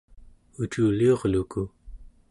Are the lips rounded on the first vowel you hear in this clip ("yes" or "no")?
yes